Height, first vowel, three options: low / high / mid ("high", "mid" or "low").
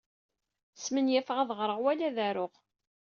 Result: mid